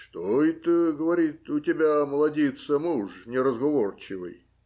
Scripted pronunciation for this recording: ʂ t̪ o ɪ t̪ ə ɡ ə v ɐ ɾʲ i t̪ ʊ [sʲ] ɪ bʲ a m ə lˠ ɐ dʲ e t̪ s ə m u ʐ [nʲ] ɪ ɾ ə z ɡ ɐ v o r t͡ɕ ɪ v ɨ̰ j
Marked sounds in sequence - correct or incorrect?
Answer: incorrect: tʲ, correct

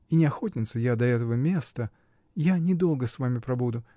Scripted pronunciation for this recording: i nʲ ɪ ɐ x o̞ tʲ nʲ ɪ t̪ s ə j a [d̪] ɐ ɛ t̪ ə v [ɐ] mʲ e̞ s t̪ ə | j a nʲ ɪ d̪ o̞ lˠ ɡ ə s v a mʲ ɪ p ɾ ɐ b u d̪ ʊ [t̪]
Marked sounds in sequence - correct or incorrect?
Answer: correct, incorrect: ə, incorrect: none

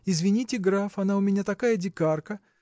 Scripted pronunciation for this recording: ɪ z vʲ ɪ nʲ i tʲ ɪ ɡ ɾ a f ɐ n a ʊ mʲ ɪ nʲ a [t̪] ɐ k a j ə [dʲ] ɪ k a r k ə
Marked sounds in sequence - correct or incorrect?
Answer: correct, correct

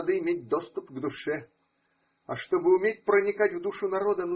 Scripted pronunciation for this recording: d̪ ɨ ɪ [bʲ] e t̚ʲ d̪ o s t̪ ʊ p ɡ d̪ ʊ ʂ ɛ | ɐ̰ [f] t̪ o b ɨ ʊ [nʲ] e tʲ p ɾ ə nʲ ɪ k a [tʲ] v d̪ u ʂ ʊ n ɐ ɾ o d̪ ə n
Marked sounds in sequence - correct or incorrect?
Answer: incorrect: mʲ, incorrect: ʂ, incorrect: mʲ, correct

